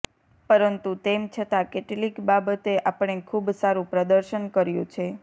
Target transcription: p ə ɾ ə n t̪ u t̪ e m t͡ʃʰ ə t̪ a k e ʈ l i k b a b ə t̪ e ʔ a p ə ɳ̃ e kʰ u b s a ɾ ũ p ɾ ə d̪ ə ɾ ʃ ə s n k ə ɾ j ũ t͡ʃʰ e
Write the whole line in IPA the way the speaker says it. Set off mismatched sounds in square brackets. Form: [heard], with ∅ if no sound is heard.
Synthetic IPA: p ə ɾ ə n t̪ u t̪ e m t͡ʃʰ ə t̪ a k e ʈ l i k b a b ə t̪ e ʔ a p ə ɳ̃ e kʰ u b s a ɾ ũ p ɾ ə d̪ ə ɾ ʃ ə [∅] n k ə ɾ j ũ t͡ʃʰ e